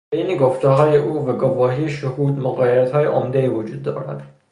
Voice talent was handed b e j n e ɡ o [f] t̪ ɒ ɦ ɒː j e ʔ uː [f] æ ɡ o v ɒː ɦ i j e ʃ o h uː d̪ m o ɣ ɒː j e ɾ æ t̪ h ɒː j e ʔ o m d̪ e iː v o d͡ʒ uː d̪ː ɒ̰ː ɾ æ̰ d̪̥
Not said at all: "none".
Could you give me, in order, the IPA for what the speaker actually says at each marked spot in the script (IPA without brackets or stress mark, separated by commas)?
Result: f, v